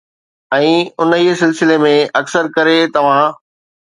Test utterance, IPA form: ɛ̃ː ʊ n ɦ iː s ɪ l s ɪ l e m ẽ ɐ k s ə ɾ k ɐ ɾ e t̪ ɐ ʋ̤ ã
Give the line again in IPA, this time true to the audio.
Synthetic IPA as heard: ɛ̃ː ʊ n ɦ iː s ɪ l s ɪ l e m ẽ ɐ k s ə ɾ k ɐ ɾ e t̪ ɐ ʋ̤ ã